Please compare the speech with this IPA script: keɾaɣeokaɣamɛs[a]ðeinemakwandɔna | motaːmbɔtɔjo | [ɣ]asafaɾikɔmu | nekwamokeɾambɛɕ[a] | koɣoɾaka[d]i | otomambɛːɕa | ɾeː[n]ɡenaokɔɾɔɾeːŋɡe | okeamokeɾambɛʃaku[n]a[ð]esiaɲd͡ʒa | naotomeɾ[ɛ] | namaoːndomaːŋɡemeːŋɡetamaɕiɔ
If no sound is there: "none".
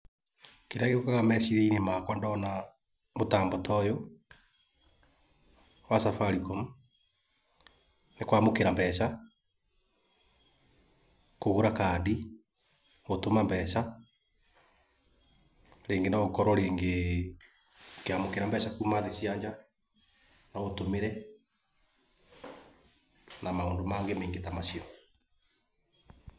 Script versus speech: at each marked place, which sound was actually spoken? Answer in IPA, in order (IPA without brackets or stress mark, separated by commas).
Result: i, w, a, d, ŋ, m, ð, ɛ